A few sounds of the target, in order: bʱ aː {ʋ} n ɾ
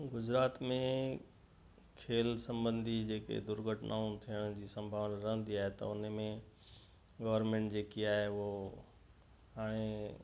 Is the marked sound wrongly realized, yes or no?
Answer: no